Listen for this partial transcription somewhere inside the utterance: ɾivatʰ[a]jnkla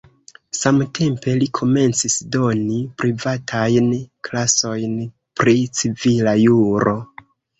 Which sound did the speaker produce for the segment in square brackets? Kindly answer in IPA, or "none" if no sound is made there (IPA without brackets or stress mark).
a